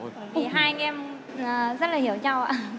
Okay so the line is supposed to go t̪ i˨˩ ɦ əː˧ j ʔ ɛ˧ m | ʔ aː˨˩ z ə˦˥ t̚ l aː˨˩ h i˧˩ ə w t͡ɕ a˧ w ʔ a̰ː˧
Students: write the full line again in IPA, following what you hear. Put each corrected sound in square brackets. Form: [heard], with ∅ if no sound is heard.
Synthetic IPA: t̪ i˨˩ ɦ [aː˧] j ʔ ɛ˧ m | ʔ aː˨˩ z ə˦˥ t̚ l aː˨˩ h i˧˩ ə w t͡ɕ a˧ w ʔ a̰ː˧